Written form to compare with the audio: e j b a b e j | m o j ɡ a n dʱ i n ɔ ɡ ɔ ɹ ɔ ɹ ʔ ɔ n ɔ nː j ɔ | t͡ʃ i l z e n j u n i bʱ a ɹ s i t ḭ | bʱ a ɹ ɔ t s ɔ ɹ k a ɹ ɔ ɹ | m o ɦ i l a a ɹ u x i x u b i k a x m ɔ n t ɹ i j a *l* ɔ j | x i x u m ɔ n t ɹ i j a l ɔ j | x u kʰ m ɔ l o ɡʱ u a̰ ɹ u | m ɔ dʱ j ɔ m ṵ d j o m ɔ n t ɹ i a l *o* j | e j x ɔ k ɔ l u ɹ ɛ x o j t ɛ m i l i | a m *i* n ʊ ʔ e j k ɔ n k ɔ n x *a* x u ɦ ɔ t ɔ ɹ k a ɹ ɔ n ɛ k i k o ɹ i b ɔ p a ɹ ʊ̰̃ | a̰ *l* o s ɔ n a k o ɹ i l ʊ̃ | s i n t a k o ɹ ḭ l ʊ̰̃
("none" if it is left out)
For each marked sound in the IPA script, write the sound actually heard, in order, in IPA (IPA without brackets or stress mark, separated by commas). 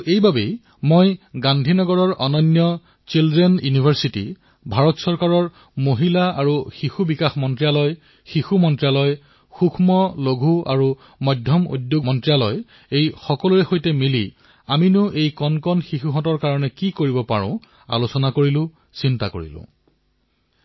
l, ɔ, i, i, l